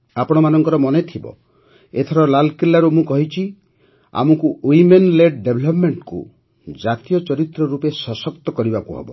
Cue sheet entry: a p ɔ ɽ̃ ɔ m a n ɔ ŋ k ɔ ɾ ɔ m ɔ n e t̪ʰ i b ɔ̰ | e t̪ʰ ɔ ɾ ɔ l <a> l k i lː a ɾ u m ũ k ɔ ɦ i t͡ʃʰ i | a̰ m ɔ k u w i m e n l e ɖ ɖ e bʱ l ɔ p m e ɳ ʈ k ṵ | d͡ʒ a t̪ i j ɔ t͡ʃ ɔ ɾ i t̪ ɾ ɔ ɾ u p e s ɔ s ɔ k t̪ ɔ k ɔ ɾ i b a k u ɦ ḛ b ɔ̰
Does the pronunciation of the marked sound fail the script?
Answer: no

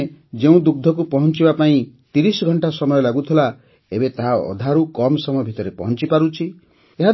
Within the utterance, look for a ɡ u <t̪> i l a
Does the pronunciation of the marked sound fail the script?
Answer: yes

